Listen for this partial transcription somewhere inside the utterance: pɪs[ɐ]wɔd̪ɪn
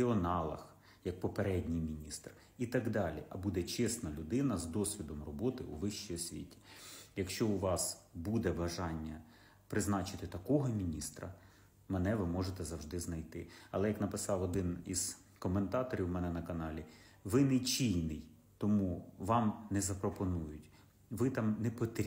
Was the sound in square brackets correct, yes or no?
no